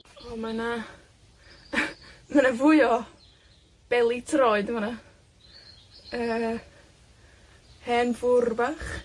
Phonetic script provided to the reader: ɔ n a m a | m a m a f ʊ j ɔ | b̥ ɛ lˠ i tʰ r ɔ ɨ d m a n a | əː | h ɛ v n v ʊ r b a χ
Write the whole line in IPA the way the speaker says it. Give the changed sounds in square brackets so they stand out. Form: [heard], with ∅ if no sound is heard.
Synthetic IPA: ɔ [m] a [n] a | m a [n] a [v] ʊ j ɔ | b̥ ɛ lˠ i tʰ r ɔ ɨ d m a n a | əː | h ɛ [∅] n v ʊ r b a χ